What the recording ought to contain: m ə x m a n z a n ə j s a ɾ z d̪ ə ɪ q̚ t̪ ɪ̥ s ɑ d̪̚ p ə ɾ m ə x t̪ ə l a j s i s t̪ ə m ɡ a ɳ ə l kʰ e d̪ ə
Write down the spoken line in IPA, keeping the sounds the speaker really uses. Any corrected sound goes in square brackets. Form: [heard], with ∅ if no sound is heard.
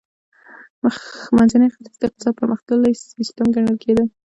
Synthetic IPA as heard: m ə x m a n z a n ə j [x] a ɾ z d̪ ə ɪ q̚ t̪ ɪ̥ s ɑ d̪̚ p ə ɾ m ə x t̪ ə l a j s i s t̪ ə m ɡ a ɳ ə l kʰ e d̪ ə